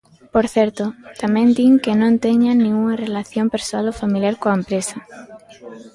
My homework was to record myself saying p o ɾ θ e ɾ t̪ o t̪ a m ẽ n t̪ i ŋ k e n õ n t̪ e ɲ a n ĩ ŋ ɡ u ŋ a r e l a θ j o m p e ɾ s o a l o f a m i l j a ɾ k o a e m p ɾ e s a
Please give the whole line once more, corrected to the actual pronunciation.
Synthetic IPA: p o ɾ θ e ɾ t̪ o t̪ a m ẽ n d̪ i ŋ k e n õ n t̪ e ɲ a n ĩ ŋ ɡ u ŋ a r e l a θ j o m p e ɾ s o a l o f a m i l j a ɾ k o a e m p ɾ e s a